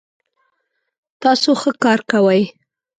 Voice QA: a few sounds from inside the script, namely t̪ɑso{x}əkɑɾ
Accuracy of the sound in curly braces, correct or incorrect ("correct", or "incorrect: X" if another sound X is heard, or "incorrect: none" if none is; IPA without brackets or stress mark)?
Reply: correct